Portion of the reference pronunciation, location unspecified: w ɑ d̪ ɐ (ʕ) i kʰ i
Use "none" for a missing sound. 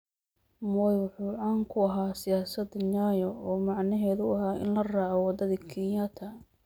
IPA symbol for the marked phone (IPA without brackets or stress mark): ð